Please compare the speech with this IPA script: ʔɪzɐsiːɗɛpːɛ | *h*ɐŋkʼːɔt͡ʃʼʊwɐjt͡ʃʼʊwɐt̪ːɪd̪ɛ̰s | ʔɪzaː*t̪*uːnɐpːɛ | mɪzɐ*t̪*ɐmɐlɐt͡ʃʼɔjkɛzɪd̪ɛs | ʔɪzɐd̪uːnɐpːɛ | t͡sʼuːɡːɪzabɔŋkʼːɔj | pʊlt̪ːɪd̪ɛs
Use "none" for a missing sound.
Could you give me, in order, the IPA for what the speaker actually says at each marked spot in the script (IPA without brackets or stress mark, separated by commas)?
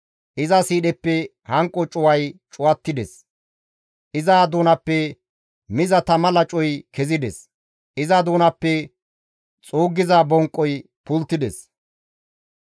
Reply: h, d̪, t̪